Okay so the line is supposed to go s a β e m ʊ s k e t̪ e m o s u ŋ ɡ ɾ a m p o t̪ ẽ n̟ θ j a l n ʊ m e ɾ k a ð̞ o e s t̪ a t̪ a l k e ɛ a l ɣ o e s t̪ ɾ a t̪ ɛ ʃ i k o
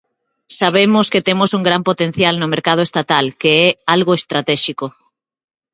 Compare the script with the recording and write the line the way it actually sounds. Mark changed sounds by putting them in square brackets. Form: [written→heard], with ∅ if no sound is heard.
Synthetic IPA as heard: s a β e m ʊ s k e t̪ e m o s u ŋ ɡ ɾ a m p o t̪ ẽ n̟ θ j a l n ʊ m e ɾ k a ð̞ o e s t̪ a t̪ a l k e ɛ a l ɣ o e s t̪ ɾ a t̪ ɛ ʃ i k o